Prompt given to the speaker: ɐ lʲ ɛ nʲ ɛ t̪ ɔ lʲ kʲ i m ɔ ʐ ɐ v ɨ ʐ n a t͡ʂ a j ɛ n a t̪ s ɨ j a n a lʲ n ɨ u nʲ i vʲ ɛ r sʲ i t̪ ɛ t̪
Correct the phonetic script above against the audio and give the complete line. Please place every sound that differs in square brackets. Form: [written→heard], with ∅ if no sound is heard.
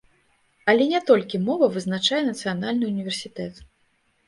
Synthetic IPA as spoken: ɐ lʲ ɛ nʲ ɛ t̪ ɔ lʲ kʲ i m ɔ [ʐ→v] ɐ v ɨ [ʐ→z] n a t͡ʂ a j ɛ n [a→ɐ] t̪ s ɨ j a n a lʲ n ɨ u nʲ i vʲ ɛ r sʲ i t̪ ɛ t̪

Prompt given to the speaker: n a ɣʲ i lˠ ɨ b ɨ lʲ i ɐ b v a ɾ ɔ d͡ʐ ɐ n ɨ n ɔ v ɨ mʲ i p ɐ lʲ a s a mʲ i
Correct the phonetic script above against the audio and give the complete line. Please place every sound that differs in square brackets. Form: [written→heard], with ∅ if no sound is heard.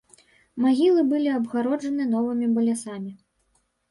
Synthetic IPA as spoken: [n→m] a ɣʲ i lˠ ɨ b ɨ lʲ i ɐ b [v→ɣ] a ɾ ɔ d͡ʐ ɐ n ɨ n ɔ v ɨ mʲ i [p→b] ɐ lʲ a s a mʲ i

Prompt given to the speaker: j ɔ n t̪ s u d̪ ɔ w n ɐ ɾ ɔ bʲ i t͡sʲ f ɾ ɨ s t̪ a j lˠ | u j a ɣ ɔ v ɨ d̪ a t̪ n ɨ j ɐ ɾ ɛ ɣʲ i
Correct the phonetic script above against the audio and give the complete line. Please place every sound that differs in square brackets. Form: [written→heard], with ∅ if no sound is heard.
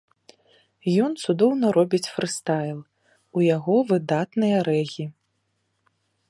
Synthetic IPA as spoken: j ɔ n t̪ s u d̪ ɔ w n ɐ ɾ ɔ bʲ i t͡sʲ f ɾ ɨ s t̪ a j lˠ | u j a ɣ ɔ v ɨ d̪ a t̪ n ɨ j ɐ ɾ ɛ ɣʲ i

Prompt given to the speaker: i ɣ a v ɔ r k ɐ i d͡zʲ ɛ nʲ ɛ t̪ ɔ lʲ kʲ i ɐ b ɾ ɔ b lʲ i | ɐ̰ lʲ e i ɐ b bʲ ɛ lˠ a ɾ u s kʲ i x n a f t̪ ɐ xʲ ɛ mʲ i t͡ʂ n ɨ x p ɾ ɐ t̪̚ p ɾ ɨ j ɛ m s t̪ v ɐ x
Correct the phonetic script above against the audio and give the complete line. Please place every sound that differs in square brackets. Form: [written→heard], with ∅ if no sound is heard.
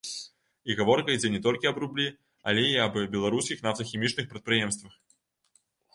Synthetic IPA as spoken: i ɣ a v ɔ r k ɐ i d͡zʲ ɛ nʲ ɛ t̪ ɔ lʲ kʲ i ɐ b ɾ [ɔ→u] b lʲ i | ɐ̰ lʲ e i ɐ b bʲ ɛ lˠ a ɾ u s kʲ i x n a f t̪ ɐ xʲ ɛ mʲ i t͡ʂ n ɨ x p ɾ ɐ t̪̚ p ɾ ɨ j ɛ m s t̪ v ɐ x

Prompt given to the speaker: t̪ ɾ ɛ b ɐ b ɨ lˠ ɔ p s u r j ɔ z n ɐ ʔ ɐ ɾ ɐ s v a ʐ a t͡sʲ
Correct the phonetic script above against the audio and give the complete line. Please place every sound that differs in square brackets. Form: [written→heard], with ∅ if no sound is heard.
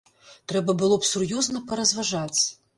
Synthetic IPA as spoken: t̪ ɾ ɛ b ɐ b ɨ lˠ ɔ p s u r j ɔ z n ɐ [ʔ→p] ɐ ɾ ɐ [s→z] v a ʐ a t͡sʲ

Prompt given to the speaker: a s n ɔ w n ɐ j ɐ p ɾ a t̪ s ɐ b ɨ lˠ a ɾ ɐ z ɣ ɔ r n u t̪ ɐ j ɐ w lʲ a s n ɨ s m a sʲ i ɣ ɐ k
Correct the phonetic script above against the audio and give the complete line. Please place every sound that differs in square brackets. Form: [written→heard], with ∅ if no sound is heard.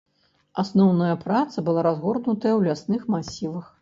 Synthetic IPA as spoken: a s n ɔ w n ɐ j ɐ p ɾ a t̪ s ɐ b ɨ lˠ a ɾ [ɐ→a] z ɣ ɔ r n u t̪ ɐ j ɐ w lʲ a s n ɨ [s→x] m a sʲ i [ɣ→v] ɐ [k→x]

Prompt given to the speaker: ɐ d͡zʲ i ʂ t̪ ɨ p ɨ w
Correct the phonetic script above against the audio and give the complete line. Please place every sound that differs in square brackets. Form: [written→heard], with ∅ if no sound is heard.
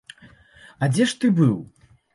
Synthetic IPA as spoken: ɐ d͡zʲ [i→ɛ] ʂ t̪ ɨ [p→b] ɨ w

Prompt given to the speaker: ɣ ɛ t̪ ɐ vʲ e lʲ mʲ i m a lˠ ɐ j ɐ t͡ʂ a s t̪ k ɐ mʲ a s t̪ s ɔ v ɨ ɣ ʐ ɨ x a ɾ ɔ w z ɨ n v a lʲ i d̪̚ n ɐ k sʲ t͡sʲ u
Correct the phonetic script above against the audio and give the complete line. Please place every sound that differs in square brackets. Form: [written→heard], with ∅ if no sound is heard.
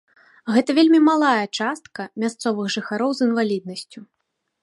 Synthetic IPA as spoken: ɣ ɛ t̪ ɐ vʲ e lʲ mʲ i m a lˠ [ɐ→a] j ɐ t͡ʂ a s t̪ k ɐ mʲ a s t̪ s ɔ v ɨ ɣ ʐ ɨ x a ɾ ɔ w z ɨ n v a lʲ i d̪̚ n ɐ [k→∅] sʲ t͡sʲ u

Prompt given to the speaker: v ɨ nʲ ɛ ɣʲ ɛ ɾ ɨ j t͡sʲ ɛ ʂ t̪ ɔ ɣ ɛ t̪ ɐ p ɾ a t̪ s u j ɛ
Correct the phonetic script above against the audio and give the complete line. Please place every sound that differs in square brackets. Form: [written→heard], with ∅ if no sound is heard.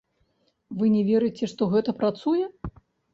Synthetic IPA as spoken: v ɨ nʲ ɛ [ɣʲ→vʲ] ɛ ɾ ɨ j t͡sʲ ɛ ʂ t̪ ɔ ɣ ɛ t̪ ɐ p ɾ a t̪ s u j ɛ

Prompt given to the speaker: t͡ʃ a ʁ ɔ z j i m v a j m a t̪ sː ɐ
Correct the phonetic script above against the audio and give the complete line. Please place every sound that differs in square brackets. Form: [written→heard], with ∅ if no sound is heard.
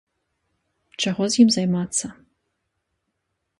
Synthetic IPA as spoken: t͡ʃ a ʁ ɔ z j i m [v→z] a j m a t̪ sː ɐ

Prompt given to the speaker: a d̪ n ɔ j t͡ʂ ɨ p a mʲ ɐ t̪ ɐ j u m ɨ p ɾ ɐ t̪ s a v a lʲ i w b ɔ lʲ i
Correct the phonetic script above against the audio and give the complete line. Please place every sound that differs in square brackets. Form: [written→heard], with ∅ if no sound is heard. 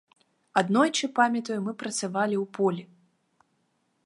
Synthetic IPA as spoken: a d̪ n ɔ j t͡ʂ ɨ p a mʲ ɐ t̪ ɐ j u m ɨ p ɾ ɐ t̪ s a v a lʲ i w [b→p] ɔ lʲ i

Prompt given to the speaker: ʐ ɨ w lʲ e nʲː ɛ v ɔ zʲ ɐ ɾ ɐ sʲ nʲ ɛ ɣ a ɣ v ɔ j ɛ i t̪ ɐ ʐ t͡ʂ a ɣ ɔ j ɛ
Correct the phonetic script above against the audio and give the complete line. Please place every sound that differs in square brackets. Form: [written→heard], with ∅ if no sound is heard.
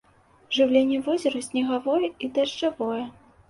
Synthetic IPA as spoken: ʐ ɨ w lʲ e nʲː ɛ v ɔ zʲ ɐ ɾ ɐ sʲ nʲ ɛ ɣ a [ɣ→∅] v ɔ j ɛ i [t̪→d̪] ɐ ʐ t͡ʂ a [ɣ→v] ɔ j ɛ

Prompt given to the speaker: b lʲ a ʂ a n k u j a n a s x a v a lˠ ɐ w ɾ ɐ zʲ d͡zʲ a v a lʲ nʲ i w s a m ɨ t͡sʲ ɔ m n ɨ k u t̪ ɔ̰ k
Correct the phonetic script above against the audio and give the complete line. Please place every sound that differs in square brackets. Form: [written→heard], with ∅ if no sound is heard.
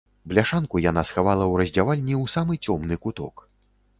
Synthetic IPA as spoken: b lʲ a ʂ a n k u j a n a s x a v a lˠ ɐ w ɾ ɐ zʲ d͡zʲ a v a lʲ nʲ i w s a m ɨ t͡sʲ ɔ m n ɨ k u t̪ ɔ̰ k

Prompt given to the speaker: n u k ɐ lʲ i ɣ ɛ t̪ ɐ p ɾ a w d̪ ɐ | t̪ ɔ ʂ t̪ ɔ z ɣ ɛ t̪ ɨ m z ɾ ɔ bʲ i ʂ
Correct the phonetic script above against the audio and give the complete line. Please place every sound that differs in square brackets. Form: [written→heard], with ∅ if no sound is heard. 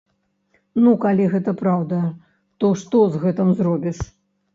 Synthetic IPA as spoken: n u k [ɐ→a] lʲ i ɣ ɛ t̪ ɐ p ɾ a w d̪ ɐ | t̪ ɔ ʂ t̪ ɔ z ɣ ɛ t̪ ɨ m z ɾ ɔ bʲ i ʂ

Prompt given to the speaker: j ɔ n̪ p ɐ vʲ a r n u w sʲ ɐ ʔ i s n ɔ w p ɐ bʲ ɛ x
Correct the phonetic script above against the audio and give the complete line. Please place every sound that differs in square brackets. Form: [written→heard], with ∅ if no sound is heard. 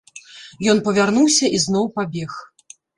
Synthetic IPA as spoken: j ɔ n̪ p ɐ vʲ a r n u w sʲ ɐ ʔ i [s→z] n ɔ w p [ɐ→a] bʲ ɛ x

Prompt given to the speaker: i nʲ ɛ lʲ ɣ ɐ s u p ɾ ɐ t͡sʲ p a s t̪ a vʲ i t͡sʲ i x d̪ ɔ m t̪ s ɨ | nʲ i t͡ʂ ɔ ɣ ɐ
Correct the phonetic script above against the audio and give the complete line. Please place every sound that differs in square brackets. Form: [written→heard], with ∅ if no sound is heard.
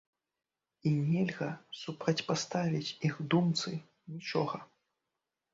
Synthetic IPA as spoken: i nʲ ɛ lʲ ɣ ɐ s u p ɾ ɐ t͡sʲ p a s t̪ a vʲ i t͡sʲ i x d̪ [ɔ→u] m t̪ s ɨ | nʲ i t͡ʂ ɔ ɣ ɐ

